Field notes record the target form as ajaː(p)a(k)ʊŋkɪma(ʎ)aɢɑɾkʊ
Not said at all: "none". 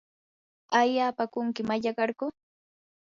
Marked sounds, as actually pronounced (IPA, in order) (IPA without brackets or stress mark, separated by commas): p, k, ʎ